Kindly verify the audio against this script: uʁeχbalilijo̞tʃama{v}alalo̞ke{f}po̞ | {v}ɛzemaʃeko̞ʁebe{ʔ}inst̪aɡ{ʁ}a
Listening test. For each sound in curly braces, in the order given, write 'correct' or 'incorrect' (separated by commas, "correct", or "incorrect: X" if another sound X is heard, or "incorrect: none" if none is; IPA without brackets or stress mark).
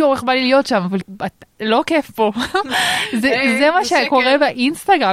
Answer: correct, correct, incorrect: z, correct, correct